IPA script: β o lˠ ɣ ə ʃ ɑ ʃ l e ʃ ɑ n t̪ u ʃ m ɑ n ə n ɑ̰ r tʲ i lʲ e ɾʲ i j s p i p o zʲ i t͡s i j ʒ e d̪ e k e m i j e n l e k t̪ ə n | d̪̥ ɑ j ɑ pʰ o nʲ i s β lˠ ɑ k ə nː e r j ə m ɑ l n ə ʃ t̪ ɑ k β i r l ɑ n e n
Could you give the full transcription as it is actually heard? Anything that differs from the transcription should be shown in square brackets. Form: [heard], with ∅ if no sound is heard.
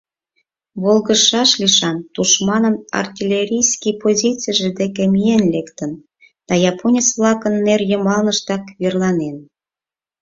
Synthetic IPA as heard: β o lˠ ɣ ə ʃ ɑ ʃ l [i] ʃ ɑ n t̪ u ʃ m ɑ n ə n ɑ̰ r tʲ i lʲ e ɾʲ i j s [k] i p o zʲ i t͡s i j ʒ e d̪ e k e m i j e n l e k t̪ ə n | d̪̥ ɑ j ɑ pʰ o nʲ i s β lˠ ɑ k ə nː e r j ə m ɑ l n ə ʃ t̪ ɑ k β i r l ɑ n e n